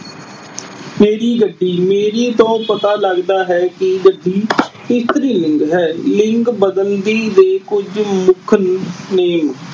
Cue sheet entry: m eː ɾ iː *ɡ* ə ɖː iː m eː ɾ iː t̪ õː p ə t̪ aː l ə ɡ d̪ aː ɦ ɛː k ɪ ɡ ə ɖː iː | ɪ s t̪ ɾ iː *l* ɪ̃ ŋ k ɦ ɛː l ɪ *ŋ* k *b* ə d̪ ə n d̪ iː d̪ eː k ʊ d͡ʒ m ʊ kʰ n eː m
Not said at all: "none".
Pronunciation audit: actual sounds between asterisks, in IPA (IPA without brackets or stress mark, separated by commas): ɡ, l, ŋ, b